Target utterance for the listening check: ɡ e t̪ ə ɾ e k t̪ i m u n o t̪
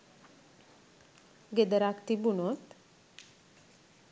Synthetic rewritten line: ɡ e d̪ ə ɾ a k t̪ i b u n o t̪